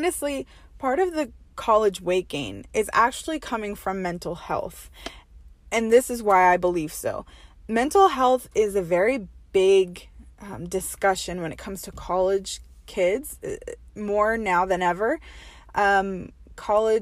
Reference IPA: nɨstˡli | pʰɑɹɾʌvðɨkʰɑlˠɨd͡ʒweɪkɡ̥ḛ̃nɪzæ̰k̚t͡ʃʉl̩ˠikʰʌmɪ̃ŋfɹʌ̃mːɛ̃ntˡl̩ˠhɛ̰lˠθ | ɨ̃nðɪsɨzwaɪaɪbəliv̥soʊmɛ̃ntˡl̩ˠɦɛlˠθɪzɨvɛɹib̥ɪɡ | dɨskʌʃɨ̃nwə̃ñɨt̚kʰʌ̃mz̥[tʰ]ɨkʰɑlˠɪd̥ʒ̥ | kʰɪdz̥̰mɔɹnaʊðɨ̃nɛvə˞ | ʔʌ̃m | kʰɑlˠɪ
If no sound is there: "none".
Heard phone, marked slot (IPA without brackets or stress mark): tʰ